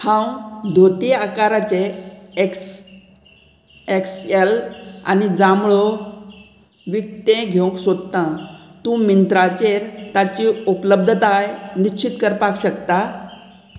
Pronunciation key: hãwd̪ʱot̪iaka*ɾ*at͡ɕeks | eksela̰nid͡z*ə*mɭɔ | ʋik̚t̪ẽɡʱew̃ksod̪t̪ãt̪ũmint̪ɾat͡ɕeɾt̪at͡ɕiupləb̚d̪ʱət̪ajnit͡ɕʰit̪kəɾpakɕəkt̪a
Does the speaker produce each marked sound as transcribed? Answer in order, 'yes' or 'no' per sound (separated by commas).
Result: yes, no